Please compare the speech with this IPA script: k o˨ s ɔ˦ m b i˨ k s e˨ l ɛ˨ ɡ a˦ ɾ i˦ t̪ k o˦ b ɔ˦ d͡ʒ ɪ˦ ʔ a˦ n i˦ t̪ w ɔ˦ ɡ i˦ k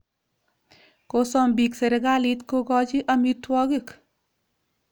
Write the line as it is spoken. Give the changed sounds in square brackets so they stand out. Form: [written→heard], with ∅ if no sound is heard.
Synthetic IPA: k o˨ s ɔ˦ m b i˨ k s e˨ [l→ɾ] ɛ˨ ɡ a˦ [ɾ→l] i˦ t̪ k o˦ [b→ɡ] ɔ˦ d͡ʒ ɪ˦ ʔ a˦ [n→m] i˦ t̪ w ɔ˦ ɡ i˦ k